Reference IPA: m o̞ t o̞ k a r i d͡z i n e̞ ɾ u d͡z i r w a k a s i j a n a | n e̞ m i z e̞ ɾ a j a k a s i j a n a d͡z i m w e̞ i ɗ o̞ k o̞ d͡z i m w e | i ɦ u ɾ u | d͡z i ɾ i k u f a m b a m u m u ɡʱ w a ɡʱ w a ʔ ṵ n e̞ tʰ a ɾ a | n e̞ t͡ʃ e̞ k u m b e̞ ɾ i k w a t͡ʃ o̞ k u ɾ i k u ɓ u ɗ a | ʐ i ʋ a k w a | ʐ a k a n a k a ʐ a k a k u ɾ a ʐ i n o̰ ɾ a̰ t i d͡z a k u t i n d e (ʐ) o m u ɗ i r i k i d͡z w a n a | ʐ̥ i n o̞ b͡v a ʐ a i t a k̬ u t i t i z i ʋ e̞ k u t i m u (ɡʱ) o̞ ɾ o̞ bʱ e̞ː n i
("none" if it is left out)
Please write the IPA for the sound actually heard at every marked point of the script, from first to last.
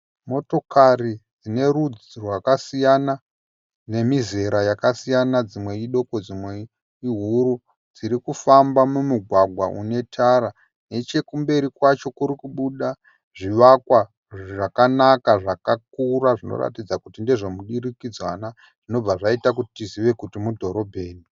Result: ʐ, dʱ

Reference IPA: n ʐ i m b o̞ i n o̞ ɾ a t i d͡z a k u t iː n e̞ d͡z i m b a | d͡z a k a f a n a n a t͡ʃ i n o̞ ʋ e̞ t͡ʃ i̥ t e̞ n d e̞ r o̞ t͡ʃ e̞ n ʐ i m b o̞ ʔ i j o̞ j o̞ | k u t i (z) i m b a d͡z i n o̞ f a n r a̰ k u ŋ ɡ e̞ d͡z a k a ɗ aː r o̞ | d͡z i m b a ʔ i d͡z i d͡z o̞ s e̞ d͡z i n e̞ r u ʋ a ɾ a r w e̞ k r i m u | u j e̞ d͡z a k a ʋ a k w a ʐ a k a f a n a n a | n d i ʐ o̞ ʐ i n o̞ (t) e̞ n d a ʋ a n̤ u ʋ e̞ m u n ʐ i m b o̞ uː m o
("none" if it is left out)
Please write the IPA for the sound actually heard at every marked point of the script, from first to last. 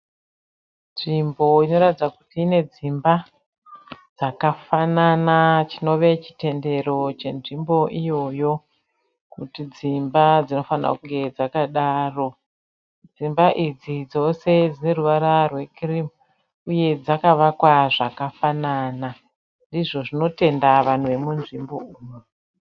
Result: d͡z, t

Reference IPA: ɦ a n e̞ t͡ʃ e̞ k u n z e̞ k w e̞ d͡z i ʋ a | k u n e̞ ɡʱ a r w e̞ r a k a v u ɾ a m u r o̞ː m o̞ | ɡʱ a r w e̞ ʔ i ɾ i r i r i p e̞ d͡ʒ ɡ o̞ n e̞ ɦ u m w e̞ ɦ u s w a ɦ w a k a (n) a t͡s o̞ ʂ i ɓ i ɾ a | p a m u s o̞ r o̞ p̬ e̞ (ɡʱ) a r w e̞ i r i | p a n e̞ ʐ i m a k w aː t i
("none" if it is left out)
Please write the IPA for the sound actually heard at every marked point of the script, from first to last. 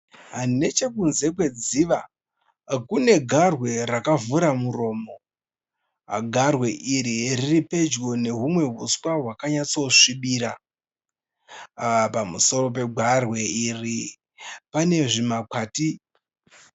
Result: ɲ, ɡʱ

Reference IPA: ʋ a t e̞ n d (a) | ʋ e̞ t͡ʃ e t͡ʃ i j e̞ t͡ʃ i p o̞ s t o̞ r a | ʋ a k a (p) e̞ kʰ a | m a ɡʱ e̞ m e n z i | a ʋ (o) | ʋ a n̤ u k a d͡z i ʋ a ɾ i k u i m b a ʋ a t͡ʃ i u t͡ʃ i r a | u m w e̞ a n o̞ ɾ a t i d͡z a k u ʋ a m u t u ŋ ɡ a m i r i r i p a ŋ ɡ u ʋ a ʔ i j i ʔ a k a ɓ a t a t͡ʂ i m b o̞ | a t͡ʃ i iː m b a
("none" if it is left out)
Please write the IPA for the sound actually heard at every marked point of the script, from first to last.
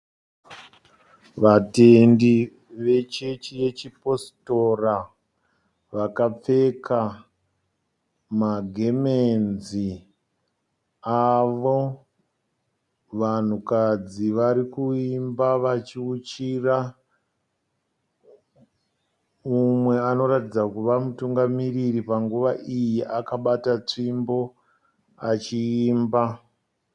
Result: i, p͡f, o

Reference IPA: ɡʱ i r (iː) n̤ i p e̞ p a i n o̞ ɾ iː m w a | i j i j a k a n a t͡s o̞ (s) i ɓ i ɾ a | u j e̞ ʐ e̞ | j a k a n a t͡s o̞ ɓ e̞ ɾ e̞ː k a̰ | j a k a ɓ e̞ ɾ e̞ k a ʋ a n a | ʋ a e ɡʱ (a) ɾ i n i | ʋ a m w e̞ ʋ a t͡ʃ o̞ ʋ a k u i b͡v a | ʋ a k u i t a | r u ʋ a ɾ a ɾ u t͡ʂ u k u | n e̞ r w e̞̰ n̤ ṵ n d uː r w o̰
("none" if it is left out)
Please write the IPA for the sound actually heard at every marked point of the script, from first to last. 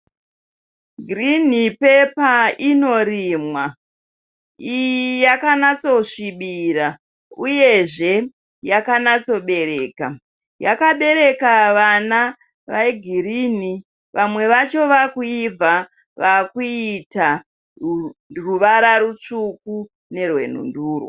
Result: i, ʂ, i

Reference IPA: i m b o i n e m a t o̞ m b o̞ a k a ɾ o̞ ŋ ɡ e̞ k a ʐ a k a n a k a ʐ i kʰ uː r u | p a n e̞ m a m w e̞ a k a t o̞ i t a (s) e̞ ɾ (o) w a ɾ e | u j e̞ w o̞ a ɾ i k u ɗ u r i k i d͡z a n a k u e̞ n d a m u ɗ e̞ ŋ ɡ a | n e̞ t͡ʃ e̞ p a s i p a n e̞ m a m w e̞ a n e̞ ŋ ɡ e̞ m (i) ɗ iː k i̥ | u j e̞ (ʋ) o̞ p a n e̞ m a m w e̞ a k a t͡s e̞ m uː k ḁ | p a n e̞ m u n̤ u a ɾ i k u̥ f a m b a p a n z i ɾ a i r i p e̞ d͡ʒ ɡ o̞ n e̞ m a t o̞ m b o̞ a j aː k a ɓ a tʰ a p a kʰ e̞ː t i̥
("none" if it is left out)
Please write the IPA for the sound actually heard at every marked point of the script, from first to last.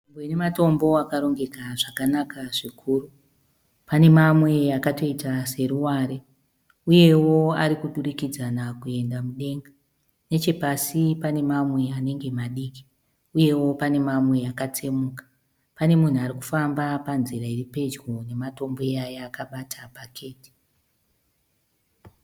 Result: s, u, a, w

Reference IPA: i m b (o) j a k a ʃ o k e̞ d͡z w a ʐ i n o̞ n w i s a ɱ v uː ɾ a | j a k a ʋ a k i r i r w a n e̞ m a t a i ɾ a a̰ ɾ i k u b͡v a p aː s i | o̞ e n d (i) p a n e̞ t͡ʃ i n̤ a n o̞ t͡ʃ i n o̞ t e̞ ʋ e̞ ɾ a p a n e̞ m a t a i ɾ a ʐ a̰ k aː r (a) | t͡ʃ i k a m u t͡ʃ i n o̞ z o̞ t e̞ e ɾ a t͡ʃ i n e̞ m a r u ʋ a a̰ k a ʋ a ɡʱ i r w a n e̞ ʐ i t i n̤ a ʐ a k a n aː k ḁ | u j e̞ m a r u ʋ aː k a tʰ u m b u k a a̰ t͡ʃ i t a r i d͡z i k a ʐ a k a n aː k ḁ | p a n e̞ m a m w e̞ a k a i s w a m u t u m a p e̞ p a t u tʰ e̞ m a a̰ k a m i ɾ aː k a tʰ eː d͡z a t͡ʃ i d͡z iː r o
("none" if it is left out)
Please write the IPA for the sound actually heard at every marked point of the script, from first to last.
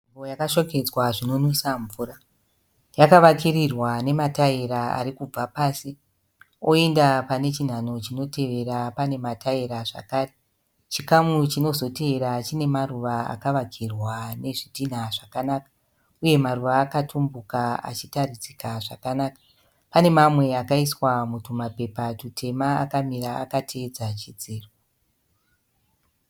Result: o, a, e

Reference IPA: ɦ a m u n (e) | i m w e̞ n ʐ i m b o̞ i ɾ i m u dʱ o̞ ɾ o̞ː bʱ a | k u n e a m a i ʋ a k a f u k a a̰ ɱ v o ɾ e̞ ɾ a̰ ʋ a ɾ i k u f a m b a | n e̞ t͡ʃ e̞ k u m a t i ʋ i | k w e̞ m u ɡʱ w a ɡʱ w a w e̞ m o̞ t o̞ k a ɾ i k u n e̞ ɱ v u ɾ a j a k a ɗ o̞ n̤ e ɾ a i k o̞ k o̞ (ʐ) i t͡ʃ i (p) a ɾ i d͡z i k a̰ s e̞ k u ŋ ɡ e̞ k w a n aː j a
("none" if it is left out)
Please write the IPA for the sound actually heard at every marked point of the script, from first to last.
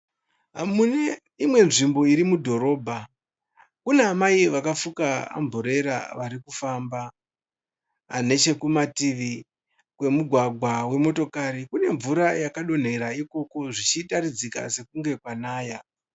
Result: e, ʐ, t

